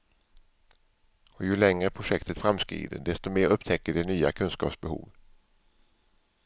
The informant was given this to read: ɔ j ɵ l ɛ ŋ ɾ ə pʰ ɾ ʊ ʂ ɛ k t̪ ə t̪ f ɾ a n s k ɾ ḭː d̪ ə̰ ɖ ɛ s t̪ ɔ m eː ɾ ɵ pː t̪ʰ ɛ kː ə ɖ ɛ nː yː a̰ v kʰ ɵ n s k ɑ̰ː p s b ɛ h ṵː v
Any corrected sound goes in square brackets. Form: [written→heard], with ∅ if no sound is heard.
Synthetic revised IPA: ɔ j ɵ l ɛ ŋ ɾ ə pʰ ɾ ʊ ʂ ɛ k t̪ ə t̪ f ɾ a [n→m] s k ɾ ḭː d̪ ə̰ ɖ ɛ s t̪ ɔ m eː ɾ ɵ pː t̪ʰ ɛ kː ə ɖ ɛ [nː→n] yː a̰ [v→∅] kʰ ɵ n s k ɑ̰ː p s b ɛ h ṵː v